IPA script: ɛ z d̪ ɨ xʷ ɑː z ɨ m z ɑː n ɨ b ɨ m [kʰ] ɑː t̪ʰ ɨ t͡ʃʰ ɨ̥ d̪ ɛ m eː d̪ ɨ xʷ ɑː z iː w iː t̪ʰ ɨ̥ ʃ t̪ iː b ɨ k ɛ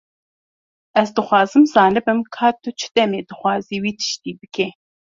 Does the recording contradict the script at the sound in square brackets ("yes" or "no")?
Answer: no